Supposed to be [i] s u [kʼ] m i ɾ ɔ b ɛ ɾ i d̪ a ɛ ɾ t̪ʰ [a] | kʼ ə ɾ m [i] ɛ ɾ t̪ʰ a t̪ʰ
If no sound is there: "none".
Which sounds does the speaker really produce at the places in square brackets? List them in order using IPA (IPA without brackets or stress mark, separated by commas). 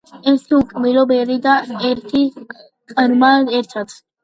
ɛ, kʼ, i, a